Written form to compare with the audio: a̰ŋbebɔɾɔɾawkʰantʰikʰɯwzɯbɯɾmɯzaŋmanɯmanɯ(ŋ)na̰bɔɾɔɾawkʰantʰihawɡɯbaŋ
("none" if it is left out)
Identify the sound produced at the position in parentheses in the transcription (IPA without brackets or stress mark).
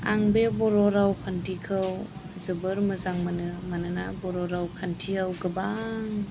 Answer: none